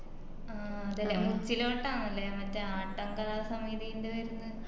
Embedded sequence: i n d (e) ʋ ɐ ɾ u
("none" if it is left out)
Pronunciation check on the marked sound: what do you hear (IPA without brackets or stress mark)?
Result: e